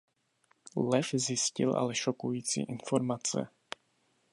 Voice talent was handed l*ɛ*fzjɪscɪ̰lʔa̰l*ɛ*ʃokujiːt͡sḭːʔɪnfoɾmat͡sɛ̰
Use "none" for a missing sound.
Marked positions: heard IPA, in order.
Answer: ɛ, ɛ

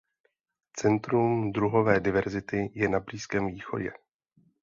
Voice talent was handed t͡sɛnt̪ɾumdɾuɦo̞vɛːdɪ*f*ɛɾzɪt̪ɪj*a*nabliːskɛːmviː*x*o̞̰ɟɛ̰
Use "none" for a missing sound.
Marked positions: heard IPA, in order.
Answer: v, ɛ, x

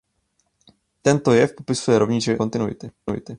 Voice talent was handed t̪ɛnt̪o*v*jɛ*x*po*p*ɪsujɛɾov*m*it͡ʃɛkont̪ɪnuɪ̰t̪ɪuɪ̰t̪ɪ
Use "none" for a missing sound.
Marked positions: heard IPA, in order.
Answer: none, f, p, ɲ

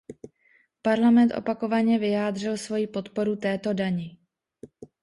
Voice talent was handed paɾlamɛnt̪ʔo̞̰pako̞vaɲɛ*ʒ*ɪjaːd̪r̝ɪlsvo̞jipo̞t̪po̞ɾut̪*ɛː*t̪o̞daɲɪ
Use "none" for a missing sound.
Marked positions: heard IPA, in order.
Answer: v, ɛː

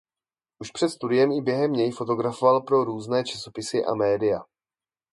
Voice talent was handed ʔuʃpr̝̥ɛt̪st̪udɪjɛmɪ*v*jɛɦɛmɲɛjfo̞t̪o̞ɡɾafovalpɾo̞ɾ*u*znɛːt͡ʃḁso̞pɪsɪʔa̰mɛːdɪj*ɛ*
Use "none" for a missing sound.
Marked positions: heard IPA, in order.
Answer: b, uː, a

